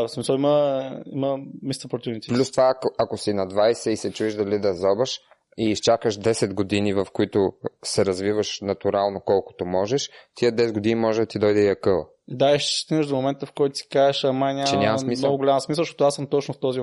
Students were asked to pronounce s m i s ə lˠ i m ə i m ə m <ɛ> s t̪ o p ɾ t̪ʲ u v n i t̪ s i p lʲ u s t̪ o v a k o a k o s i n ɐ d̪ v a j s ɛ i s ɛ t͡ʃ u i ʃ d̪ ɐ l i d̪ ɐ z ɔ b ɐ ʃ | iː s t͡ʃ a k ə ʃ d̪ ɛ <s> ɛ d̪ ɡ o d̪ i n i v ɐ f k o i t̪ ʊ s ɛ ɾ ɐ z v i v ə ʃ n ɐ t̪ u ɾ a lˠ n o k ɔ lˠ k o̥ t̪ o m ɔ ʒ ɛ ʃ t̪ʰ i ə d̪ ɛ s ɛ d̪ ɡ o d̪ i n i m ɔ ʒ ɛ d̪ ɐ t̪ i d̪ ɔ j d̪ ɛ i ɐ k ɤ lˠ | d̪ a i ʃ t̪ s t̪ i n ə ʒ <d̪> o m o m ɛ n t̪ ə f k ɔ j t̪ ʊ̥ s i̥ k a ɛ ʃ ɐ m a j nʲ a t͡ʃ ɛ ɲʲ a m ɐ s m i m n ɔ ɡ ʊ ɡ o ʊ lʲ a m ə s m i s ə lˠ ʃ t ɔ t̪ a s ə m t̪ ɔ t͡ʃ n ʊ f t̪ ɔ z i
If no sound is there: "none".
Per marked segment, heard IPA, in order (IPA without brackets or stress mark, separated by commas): i, s, d̪